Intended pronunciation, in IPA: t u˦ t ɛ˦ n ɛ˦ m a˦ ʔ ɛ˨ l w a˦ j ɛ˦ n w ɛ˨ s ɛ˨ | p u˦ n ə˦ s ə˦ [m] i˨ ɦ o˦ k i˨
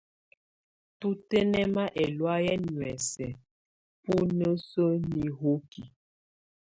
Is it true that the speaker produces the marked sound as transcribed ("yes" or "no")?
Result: no